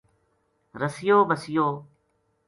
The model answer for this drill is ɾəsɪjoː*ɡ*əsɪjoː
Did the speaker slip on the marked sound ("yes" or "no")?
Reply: yes